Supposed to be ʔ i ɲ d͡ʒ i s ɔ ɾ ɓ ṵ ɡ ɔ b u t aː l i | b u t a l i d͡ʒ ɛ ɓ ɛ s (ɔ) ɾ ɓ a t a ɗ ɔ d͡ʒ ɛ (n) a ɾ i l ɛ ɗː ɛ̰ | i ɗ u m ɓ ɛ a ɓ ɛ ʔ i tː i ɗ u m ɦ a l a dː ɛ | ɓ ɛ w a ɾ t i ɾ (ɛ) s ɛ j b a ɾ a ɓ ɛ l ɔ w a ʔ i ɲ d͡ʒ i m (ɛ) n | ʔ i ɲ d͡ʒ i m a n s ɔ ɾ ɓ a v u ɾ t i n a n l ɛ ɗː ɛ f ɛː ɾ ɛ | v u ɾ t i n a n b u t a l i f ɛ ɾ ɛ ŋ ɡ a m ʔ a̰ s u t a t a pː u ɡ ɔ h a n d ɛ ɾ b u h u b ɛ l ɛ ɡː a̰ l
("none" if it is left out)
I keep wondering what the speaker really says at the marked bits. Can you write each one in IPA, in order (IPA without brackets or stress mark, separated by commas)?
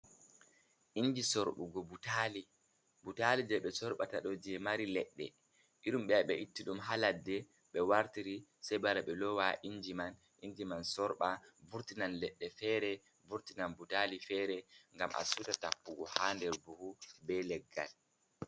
ɔ, m, i, a